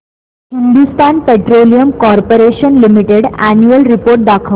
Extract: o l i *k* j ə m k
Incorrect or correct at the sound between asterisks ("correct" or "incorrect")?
incorrect